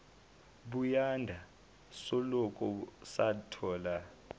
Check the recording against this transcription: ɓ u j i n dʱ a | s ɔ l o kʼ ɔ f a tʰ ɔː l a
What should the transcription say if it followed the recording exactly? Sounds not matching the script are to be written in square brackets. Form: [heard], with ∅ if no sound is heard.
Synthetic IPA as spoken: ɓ u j [a] n dʱ a | s ɔ l [ɔ] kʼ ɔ [s] a tʰ ɔː l a